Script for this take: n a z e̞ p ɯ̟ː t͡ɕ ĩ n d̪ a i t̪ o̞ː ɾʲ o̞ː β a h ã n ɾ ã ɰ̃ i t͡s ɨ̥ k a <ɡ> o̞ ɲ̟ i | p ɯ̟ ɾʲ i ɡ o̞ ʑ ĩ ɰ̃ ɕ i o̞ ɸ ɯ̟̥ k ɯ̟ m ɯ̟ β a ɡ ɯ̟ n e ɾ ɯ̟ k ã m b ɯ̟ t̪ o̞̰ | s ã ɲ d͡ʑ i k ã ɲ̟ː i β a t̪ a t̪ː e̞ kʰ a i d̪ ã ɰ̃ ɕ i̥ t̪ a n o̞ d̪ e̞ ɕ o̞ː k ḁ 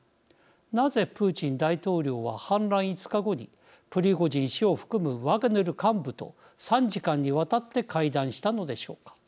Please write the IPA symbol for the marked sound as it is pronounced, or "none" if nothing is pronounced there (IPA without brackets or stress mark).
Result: ɡ